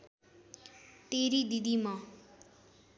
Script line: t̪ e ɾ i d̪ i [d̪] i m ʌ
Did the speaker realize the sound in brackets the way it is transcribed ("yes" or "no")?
yes